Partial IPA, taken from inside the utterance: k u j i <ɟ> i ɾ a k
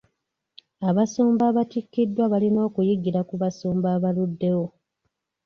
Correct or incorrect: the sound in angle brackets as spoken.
incorrect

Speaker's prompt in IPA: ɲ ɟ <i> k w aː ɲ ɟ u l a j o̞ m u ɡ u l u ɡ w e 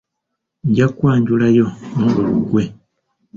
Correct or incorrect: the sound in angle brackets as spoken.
incorrect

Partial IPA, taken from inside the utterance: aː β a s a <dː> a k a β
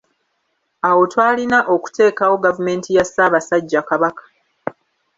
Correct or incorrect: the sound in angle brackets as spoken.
incorrect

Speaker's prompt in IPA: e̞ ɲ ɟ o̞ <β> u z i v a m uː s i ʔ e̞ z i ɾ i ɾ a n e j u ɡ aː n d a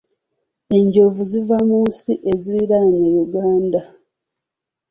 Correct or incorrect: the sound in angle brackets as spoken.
incorrect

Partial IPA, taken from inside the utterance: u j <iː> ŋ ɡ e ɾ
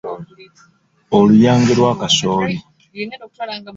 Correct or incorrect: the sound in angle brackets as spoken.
incorrect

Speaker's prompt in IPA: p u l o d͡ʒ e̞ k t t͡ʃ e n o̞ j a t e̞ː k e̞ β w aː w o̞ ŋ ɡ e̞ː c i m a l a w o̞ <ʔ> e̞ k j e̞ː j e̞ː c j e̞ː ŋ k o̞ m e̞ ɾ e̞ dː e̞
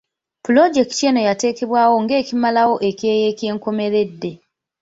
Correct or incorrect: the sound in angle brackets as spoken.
correct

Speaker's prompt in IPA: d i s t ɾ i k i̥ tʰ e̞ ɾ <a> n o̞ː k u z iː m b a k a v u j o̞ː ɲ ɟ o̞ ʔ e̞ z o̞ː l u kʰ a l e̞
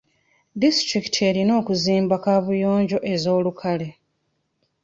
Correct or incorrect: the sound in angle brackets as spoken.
incorrect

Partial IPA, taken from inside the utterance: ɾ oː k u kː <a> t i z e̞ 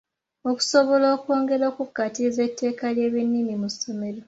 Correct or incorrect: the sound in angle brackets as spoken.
correct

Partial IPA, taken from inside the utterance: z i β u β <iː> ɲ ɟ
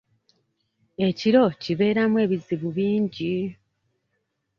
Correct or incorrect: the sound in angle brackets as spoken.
correct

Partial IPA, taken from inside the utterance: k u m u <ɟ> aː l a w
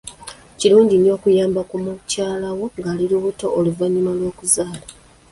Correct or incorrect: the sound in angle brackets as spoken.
incorrect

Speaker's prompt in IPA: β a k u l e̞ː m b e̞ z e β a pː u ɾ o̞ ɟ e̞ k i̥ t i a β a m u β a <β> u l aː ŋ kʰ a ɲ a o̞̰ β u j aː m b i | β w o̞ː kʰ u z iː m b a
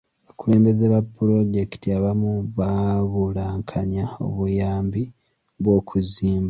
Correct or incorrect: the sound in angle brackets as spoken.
correct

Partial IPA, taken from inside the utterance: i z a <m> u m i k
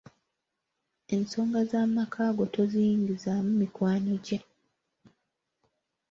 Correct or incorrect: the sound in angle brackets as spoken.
correct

